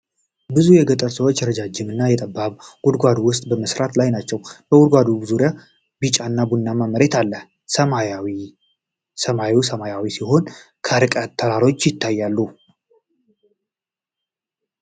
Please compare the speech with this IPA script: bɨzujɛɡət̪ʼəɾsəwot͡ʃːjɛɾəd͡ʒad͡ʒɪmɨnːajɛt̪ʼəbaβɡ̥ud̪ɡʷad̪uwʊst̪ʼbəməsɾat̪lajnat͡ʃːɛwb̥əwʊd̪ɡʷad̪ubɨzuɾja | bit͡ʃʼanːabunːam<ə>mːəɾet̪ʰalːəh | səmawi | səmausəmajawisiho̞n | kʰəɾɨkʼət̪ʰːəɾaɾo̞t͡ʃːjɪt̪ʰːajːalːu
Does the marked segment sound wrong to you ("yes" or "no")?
yes